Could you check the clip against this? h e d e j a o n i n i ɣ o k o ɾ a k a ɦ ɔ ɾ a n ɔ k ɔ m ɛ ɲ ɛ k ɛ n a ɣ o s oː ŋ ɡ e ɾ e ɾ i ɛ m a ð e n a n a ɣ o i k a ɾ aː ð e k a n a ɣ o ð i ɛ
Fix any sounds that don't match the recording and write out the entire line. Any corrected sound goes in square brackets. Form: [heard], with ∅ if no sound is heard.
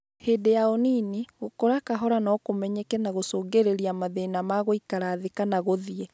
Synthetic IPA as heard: h e d e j a o n i n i ɣ o k o ɾ a k a ɦ ɔ ɾ a n ɔ k [o] m ɛ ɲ ɛ k ɛ n a ɣ o s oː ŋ ɡ e ɾ e ɾ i [a] m a ð e n a [m] a ɣ o i k a ɾ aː ð e k a n a ɣ o ð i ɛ

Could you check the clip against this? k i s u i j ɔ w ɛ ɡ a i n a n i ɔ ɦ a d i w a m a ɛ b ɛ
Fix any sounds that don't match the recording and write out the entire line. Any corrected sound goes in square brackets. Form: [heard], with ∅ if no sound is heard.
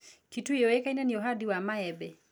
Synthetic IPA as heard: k i [t] u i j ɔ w ɛ [k] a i n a n i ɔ ɦ a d i w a m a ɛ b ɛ

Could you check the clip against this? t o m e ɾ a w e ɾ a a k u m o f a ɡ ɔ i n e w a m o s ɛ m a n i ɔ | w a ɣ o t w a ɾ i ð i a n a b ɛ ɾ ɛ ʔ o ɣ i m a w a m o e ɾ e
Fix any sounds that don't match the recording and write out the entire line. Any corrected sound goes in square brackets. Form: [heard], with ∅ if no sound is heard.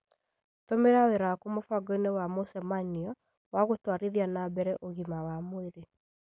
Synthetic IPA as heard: t o m e ɾ a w e ɾ a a k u m o f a ɡ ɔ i n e w a m o s ɛ m a n i ɔ | w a ɣ o t w a ɾ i ð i a n a b ɛ ɾ ɛ ʔ o ɣ i m a w a m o e ɾ e

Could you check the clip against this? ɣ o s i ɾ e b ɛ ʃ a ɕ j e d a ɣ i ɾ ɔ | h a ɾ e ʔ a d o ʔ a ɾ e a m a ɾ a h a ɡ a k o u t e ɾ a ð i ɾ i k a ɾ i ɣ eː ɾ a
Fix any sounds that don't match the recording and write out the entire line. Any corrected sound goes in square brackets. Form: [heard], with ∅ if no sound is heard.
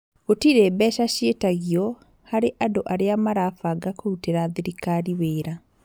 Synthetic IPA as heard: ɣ o [t] i ɾ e b ɛ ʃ a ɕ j e [t] a ɣ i [∅] ɔ | h a ɾ e ʔ a d o ʔ a ɾ e a m a ɾ a [f] a ɡ a k o u t e ɾ a ð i ɾ i k a ɾ i [w] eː ɾ a

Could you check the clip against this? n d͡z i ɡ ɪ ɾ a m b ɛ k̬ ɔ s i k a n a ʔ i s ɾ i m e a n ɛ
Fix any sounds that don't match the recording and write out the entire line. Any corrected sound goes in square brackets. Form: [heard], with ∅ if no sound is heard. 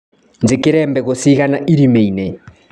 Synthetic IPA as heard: n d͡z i [k] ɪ ɾ [ɛ] m b ɛ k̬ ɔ s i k a n a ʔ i [∅] ɾ i m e [i] n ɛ

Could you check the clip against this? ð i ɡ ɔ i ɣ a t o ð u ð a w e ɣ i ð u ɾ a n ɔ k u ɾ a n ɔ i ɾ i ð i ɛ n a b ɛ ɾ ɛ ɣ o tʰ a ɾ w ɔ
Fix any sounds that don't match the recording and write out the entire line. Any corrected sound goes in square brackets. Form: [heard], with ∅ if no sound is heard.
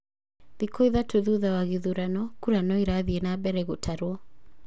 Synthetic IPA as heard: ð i [k] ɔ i [ð] a t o ð u ð a w [a] ɣ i ð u ɾ a n ɔ k u ɾ a n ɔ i ɾ [a] ð i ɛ n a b ɛ ɾ ɛ ɣ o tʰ a ɾ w ɔ

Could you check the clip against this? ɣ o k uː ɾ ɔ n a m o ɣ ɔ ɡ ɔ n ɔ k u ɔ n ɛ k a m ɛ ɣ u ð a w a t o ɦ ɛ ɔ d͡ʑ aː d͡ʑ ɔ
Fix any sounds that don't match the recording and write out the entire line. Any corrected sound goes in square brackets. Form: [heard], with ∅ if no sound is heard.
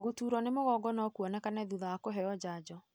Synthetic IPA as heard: ɣ o [t] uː ɾ ɔ n [e] m o ɣ ɔ ɡ ɔ n ɔ k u ɔ n ɛ k a [n] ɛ [ð] u ð a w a [k] o ɦ ɛ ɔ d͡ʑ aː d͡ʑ ɔ

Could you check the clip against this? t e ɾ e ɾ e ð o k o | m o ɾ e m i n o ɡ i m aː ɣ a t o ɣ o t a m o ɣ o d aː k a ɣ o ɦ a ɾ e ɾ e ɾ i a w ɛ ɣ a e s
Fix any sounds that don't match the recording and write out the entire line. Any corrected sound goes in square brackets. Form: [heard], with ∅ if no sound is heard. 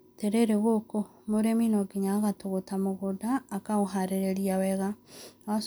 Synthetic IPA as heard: t e ɾ e ɾ e [ɣ] o k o | m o ɾ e m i n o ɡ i [ɲ] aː ɣ a t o ɣ o t a m o ɣ o d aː k a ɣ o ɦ a ɾ e ɾ e ɾ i a w ɛ ɣ a [a] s

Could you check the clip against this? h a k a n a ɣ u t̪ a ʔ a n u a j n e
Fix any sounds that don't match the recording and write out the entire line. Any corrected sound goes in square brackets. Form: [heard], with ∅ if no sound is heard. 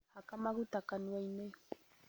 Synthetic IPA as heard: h a k a [m] a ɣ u t̪ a [k] a n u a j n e

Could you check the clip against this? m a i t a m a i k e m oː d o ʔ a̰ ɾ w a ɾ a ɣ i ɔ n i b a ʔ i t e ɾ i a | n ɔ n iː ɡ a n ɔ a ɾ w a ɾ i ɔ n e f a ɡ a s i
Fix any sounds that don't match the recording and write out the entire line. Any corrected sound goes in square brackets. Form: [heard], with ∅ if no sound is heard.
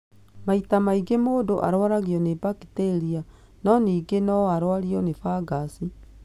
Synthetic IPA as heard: m a i t a m a i [ɡ] e m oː d o ʔ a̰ ɾ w a ɾ a ɣ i ɔ n [e] b a [k] i t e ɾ i a | n ɔ n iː ɡ [e] n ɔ a ɾ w a ɾ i ɔ n e f a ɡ a s i

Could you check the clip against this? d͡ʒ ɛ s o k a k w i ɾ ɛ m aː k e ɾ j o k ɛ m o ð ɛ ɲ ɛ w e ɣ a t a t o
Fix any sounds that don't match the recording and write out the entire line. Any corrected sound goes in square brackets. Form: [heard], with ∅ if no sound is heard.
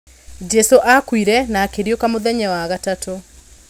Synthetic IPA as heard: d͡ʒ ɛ s o [ʔ] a k w i ɾ ɛ [n] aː k e ɾ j o k [a] m o ð ɛ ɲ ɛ w [a] ɣ a t a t o

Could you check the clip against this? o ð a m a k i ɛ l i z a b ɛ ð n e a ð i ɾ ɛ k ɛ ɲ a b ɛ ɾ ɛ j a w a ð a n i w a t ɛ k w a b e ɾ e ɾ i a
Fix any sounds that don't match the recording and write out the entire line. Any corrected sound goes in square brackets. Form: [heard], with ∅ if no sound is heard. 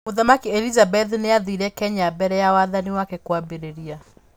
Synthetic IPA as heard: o ð a m a k i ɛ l i z a b ɛ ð n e a ð i ɾ ɛ k ɛ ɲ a b ɛ ɾ ɛ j a w a ð a n i w a [k] ɛ k w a b e ɾ e ɾ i a

